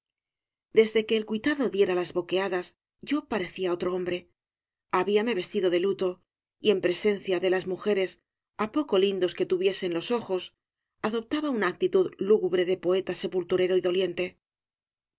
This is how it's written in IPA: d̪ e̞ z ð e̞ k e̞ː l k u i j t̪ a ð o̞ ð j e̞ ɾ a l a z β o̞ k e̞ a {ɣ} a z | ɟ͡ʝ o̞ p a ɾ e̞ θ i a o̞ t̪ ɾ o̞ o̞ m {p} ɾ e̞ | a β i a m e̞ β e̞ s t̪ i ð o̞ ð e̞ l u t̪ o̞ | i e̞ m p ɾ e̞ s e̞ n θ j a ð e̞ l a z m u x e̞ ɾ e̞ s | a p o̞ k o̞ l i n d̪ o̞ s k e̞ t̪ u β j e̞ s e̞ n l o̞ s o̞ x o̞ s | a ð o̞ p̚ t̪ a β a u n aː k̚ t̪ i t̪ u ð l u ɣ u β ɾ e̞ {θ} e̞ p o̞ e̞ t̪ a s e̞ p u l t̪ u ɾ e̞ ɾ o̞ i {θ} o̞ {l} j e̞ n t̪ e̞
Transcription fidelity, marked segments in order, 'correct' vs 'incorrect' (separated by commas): incorrect, incorrect, incorrect, incorrect, correct